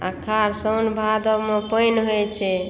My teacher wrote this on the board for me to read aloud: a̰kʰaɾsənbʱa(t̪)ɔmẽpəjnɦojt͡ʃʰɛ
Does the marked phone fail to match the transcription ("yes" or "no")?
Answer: yes